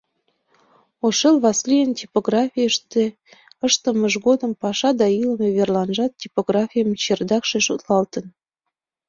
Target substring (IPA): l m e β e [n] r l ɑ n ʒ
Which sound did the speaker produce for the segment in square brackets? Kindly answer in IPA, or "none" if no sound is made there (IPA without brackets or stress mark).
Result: none